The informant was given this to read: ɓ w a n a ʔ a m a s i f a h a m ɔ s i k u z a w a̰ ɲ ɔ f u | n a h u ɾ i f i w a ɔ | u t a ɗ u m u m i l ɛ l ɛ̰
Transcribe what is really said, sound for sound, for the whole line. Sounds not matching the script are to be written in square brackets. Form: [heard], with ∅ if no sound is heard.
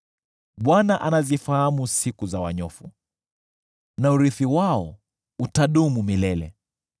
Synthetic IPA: ɓ w a n a ʔ a [n] a [z] i f a h a m [u] s i k u z a w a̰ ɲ ɔ f u | n a [∅] u ɾ i [θ] i w a ɔ | u t a ɗ u m u m i l ɛ l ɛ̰